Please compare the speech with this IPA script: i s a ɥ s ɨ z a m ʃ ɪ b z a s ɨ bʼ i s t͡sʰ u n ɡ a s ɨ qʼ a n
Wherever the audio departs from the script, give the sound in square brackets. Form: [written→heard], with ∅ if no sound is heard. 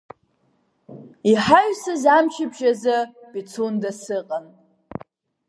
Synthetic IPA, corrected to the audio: i [s→ħ] a ɥ s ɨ z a m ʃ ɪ b [z→ʒ] a [s→z] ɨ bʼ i [s→∅] t͡sʰ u n [ɡ→d] a s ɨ qʼ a n